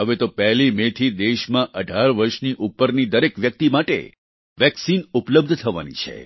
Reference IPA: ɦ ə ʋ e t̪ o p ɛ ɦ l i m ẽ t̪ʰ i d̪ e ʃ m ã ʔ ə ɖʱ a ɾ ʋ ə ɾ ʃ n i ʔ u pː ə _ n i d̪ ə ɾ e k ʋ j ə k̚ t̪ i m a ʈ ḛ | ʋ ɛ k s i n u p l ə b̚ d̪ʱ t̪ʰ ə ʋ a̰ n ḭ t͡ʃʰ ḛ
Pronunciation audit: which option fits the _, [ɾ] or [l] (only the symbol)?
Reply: ɾ